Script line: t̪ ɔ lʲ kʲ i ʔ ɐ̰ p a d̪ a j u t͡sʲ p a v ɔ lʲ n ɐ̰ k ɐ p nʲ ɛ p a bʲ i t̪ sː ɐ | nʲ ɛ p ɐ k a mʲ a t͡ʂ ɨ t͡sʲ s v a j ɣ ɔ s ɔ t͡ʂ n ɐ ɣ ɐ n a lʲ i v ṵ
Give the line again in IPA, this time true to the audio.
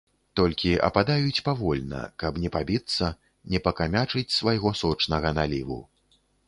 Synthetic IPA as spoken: t̪ ɔ lʲ kʲ i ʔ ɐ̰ p a d̪ a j u t͡sʲ p a v ɔ lʲ n ɐ̰ k ɐ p nʲ ɛ p a bʲ i t̪ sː ɐ | nʲ ɛ p ɐ k a mʲ a t͡ʂ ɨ t͡sʲ s v a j ɣ ɔ s ɔ t͡ʂ n ɐ ɣ ɐ n a lʲ i v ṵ